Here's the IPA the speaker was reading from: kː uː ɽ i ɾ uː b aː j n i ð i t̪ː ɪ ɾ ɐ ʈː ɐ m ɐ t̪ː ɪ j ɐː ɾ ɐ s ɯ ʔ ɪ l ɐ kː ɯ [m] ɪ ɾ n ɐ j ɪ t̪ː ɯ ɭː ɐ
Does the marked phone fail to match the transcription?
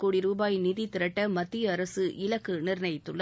yes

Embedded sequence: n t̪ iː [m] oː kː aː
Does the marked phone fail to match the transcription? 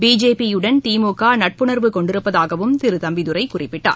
no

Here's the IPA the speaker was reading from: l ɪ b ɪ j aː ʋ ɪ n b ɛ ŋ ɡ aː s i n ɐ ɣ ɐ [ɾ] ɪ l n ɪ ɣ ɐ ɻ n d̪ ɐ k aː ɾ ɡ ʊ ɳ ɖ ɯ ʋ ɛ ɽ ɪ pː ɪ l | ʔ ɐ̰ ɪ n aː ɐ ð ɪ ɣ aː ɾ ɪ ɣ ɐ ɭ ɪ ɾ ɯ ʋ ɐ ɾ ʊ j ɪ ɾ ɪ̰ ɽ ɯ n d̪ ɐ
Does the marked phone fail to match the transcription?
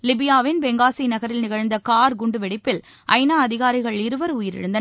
no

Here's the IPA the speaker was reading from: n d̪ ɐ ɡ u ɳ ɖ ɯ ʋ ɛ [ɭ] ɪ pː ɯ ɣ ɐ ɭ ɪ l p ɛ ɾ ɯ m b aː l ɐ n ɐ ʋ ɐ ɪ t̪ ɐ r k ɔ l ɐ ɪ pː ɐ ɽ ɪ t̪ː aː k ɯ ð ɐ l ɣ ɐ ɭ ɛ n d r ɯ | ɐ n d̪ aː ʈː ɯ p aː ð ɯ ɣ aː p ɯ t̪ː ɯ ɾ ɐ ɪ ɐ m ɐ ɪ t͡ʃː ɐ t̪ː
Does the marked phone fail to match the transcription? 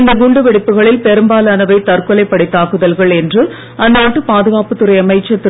yes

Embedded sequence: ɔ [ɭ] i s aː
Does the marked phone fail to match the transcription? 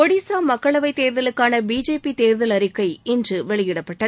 yes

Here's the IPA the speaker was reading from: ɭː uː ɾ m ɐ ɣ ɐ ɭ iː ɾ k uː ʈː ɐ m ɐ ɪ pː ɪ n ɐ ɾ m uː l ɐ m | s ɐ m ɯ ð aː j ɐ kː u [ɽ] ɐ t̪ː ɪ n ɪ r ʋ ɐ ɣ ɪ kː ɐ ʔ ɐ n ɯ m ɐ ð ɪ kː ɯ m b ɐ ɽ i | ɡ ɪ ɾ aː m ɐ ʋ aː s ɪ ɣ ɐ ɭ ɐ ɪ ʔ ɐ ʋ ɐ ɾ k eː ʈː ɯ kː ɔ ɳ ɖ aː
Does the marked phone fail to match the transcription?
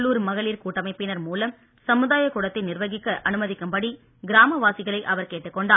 no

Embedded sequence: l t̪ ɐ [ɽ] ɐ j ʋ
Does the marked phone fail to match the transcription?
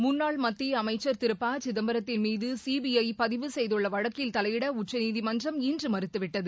yes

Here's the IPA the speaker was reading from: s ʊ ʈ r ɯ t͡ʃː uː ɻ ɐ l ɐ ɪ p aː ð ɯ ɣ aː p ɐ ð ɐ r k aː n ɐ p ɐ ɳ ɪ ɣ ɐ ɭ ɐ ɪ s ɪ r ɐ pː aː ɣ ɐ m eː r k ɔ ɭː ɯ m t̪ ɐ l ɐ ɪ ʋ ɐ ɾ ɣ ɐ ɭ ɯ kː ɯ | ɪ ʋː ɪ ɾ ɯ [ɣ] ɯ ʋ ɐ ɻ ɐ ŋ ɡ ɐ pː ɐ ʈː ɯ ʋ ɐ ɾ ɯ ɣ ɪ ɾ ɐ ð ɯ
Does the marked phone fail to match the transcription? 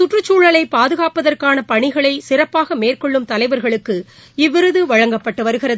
yes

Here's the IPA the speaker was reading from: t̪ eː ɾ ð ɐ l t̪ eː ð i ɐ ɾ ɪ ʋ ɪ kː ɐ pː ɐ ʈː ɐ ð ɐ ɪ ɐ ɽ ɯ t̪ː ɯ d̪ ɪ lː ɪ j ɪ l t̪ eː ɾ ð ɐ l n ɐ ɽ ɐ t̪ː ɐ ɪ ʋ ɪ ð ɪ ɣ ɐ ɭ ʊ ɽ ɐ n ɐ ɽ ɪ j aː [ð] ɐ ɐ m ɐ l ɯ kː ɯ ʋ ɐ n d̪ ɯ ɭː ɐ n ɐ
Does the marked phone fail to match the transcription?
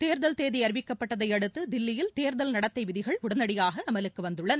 yes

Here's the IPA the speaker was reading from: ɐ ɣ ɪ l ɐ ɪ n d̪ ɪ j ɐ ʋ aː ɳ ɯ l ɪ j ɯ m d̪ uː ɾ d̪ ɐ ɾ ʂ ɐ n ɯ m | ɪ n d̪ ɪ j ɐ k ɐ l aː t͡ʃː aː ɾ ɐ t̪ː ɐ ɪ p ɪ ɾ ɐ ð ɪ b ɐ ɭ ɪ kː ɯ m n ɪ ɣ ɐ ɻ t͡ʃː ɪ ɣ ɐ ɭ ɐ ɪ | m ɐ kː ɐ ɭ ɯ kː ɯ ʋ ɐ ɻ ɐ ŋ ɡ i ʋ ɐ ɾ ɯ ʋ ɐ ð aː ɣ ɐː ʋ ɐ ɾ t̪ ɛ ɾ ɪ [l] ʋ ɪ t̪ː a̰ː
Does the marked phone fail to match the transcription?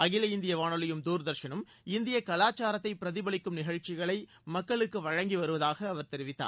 yes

